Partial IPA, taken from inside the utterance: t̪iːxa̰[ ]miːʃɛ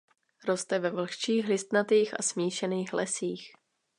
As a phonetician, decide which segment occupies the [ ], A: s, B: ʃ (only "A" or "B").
A